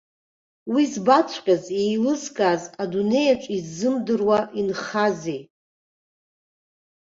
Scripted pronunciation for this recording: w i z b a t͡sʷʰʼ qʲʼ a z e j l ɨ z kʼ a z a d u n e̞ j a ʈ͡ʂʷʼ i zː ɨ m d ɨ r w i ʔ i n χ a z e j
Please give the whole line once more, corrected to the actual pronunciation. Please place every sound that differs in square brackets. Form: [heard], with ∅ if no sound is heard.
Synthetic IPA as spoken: w i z b a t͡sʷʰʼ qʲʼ a z e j l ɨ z kʼ a z a d u n e̞ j a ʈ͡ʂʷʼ i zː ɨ m d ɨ r w [a] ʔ i n χ a z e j